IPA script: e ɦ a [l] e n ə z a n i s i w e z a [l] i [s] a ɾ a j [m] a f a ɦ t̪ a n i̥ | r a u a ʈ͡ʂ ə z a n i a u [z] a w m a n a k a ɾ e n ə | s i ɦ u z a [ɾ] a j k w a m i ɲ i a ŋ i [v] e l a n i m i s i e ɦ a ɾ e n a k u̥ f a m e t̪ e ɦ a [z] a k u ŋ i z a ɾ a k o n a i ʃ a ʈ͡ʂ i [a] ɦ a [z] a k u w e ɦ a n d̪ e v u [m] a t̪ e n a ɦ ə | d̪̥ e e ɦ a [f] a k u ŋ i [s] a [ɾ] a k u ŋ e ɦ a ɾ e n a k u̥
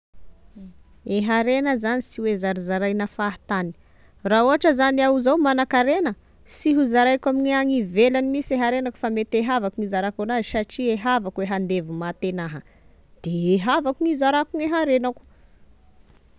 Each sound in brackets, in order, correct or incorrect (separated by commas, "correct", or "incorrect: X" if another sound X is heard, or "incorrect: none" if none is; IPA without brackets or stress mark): incorrect: ɾ, incorrect: ɾ, incorrect: z, incorrect: n, correct, correct, correct, incorrect: v, incorrect: e, incorrect: v, correct, incorrect: v, incorrect: z, correct